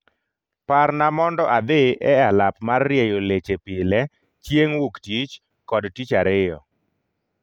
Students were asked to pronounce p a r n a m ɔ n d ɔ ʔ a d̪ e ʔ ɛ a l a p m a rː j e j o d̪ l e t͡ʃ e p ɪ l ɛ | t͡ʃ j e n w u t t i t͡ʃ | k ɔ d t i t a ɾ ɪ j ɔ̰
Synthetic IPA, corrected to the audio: p a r n a m ɔ n d ɔ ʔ a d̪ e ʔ ɛ a l a p m a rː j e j o l e t͡ʃ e p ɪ l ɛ | t͡ʃ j e ŋ w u k t i t͡ʃ | k ɔ d t i t͡ʃ a ɾ ɪ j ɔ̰